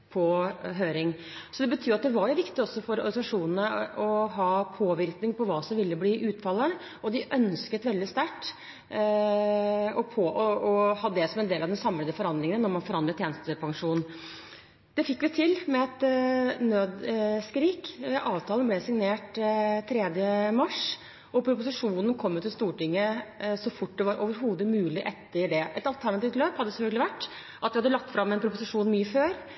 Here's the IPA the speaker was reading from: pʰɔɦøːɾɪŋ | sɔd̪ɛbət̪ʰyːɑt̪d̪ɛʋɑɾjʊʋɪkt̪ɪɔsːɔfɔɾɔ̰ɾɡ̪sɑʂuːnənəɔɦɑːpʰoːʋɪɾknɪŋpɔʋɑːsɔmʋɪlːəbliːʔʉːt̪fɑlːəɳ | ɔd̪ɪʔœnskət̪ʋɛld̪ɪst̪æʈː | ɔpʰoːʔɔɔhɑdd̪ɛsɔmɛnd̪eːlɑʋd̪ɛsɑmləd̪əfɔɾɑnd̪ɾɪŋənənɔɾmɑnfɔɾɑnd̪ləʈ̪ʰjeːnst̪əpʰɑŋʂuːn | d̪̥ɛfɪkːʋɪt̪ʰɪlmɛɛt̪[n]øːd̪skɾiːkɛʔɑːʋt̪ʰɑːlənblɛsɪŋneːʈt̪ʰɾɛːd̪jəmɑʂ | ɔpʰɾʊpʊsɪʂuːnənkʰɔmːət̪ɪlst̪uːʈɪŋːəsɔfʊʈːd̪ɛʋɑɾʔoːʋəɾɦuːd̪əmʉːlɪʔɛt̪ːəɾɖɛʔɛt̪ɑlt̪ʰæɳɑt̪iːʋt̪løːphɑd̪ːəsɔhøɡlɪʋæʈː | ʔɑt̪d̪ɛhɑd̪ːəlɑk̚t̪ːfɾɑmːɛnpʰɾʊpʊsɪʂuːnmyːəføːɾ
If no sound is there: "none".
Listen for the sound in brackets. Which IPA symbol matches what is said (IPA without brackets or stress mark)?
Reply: n